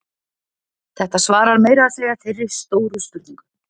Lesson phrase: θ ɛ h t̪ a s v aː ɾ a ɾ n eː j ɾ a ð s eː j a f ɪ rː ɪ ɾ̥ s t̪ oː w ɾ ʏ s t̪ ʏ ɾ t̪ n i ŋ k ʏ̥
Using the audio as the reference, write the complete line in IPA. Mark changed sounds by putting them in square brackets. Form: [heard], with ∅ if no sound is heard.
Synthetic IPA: θ ɛ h t̪ a s v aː ɾ a ɾ [m] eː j ɾ a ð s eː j a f ɪ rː ɪ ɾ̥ s t̪ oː w ɾ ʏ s t̪ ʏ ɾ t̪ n i ŋ k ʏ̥